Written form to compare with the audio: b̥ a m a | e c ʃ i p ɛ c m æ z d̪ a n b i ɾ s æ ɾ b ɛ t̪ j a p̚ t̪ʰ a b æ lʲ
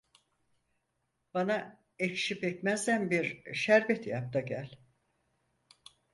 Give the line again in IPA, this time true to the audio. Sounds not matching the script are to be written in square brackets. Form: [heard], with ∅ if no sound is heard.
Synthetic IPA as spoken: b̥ a [n] a | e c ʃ i p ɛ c m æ z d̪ [æ] n b i ɾ [ʃ] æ ɾ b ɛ t̪ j a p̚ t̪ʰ a [ɟ] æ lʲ